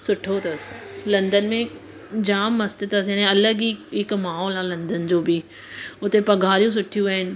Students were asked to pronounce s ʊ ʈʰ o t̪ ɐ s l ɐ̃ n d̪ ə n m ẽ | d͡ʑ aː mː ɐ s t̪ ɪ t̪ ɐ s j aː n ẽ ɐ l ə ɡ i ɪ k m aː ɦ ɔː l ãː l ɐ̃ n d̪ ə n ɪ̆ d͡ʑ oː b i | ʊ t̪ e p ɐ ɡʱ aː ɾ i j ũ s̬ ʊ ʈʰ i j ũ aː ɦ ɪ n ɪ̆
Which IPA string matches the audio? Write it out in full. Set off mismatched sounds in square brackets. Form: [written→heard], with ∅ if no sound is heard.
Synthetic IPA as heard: s ʊ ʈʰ o t̪ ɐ s l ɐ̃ n d̪ ə n m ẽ | d͡ʑ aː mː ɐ s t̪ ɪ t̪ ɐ s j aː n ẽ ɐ l ə ɡ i ɪ k m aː ɦ ɔː l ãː l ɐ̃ n d̪ ə n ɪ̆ d͡ʑ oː b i | ʊ t̪ e p ɐ ɡʱ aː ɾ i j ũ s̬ ʊ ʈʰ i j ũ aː ɦ ɪ n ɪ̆